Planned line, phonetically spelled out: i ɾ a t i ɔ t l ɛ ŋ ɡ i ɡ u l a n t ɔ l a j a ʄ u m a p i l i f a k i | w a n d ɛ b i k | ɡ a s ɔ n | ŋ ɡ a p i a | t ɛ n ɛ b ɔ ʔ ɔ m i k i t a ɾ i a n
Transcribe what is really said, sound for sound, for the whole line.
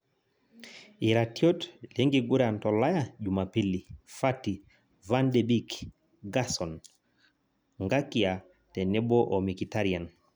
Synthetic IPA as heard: i ɾ a t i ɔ t l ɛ ŋ ɡ i ɡ u ɾ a n t ɔ l a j a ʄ u m a p i l i f a t i | v a n d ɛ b i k | ɡ a s ɔ n | ŋ ɡ a k i a | t ɛ n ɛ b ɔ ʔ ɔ m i k i t a ɾ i a n

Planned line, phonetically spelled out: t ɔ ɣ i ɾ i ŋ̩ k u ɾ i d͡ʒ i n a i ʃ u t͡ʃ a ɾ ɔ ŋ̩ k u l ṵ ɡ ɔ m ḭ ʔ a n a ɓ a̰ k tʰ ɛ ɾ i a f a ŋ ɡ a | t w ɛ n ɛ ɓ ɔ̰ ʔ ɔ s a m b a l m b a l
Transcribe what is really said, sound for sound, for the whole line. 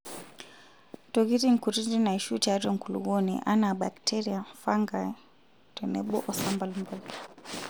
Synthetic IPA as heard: t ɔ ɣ i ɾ i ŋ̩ k u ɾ i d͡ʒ i n a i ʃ u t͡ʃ a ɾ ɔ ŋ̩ k u l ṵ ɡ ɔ n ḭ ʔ a n a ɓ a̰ k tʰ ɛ ɾ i a f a ŋ ɡ a | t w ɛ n ɛ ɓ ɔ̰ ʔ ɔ s a m b a l m b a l

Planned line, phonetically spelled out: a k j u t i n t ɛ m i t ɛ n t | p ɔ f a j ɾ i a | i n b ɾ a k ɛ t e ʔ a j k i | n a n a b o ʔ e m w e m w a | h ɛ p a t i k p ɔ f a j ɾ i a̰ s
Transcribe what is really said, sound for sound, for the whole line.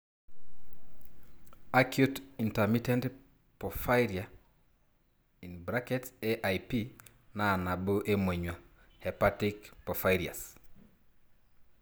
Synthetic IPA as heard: a k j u t i n t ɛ m i t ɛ n t | p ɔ f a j ɾ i a | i n b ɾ a k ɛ t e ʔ a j p i | n a n a b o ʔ e m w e ɲ w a | h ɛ p a t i k p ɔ f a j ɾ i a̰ s

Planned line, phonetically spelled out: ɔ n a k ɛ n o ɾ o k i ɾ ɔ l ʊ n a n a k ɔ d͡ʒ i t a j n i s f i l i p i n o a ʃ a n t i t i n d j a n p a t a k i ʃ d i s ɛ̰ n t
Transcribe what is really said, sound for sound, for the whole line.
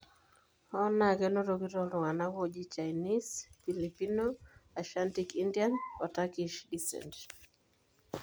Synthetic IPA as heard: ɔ n a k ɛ n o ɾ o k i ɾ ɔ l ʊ ŋ a n a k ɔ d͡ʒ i t͡ʃ a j n i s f i l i p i n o a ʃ a n t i k i n d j a n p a t a k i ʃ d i s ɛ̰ n t

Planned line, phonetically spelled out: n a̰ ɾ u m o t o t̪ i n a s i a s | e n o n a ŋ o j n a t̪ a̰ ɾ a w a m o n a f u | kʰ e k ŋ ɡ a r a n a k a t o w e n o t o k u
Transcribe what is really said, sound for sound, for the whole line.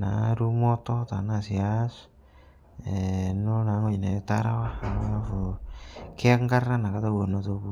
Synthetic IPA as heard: n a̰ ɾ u m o t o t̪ a n a s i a s | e n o n a ŋ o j n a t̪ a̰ ɾ a w a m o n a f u | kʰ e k ŋ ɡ a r a n a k a t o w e n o t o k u

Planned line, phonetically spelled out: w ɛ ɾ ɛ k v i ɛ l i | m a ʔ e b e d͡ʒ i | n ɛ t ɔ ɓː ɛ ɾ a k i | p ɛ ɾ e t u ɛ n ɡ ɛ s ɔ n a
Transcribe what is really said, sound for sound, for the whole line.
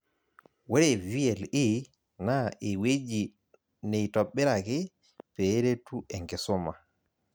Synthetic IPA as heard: w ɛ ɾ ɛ v i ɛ l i | n a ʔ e w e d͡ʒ i | n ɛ t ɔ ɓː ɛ ɾ a k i | p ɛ ɾ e t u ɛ ŋ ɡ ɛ s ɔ m a

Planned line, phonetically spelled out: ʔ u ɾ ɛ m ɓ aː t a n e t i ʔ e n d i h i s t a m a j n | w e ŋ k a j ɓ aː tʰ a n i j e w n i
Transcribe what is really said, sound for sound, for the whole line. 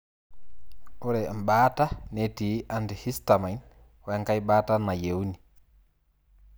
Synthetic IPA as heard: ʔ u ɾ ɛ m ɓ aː t a n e t i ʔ a n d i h i s t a m a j n | w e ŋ k a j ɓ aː t a n a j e w n i

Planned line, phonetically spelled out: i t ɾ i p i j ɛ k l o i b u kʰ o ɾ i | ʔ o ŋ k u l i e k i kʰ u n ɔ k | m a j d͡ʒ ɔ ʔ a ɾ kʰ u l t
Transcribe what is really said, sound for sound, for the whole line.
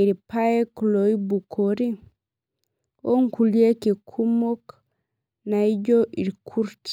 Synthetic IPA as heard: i ɾ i p a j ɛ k l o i b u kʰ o ɾ i | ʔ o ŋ k u l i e k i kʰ u m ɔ k | n a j d͡ʒ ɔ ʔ i ɾ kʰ u ɾ t

